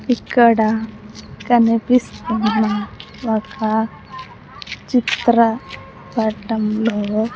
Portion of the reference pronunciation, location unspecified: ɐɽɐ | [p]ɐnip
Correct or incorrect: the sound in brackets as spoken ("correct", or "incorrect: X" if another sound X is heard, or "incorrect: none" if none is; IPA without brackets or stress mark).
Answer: incorrect: k